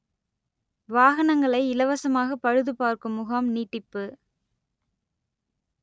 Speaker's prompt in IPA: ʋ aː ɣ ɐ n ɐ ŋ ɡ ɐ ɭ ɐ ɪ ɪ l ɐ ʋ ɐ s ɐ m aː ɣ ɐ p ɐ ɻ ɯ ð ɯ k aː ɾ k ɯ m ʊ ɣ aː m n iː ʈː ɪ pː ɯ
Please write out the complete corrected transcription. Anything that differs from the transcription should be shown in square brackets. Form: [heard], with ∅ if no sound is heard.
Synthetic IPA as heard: ʋ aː ɣ ɐ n ɐ ŋ ɡ ɐ ɭ ɐ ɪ ɪ l ɐ ʋ ɐ s ɐ m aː ɣ ɐ p ɐ ɻ ɯ ð ɯ [p] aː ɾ k ɯ m ʊ ɣ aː m n iː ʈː ɪ pː ɯ